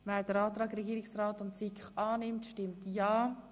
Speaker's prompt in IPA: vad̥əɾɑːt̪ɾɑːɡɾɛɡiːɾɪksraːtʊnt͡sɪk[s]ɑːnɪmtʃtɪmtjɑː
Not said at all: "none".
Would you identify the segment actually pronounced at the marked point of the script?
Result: χ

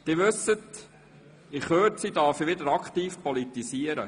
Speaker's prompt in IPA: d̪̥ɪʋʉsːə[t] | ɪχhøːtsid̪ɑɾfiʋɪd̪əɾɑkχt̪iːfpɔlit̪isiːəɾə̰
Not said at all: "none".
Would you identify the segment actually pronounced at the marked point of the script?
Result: t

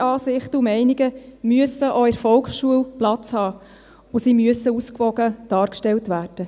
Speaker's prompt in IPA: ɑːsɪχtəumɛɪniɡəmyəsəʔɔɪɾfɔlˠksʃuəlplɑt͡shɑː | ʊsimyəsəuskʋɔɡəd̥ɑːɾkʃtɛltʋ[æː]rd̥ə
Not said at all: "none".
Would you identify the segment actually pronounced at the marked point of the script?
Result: æː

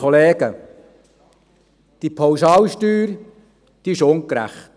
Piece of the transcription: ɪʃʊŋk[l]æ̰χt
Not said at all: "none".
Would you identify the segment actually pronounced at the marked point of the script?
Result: ɾ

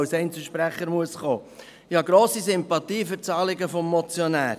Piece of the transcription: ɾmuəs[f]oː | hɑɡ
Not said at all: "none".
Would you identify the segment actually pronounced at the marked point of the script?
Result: χ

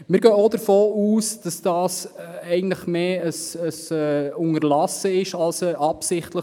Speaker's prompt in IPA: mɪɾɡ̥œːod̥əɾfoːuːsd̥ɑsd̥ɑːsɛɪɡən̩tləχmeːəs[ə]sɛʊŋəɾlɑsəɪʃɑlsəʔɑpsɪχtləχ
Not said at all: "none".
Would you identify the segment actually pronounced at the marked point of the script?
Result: ə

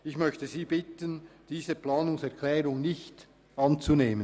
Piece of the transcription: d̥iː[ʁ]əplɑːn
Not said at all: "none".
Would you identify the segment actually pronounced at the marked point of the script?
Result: z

